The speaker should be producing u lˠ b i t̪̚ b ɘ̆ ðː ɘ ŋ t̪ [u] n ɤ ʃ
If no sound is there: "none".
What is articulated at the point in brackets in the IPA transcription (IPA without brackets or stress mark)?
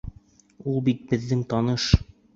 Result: ɒ